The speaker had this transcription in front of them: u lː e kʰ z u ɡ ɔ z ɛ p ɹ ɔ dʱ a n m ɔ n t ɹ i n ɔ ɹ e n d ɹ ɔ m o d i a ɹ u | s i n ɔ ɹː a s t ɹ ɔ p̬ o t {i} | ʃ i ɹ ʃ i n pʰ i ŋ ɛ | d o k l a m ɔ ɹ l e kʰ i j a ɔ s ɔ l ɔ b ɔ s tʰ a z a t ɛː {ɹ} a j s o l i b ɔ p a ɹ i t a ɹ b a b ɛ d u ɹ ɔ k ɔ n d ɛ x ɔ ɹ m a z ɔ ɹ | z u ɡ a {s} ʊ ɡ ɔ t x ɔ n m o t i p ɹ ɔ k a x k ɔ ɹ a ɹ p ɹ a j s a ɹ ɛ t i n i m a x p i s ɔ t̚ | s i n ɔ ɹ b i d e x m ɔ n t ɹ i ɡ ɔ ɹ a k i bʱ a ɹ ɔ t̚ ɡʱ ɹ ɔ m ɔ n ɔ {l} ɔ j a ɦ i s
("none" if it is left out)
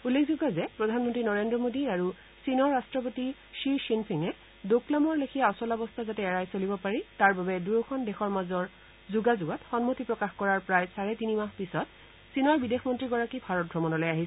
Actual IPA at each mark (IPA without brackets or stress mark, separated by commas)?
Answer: i, ɹ, z, l